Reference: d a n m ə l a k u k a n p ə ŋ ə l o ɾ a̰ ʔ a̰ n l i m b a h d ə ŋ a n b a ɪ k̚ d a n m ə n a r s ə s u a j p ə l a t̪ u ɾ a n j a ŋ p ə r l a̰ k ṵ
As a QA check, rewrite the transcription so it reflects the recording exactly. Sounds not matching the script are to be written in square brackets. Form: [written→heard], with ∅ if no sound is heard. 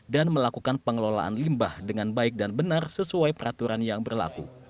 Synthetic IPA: d a n m ə l a k u k a n p ə ŋ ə l o [ɾ→l] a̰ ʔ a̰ n l i m b a h d ə ŋ a n b a ɪ k̚ d a n [m→b] ə n a r s ə s u a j p ə [l→ɾ] a t̪ u ɾ a n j a ŋ [p→b] ə r l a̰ k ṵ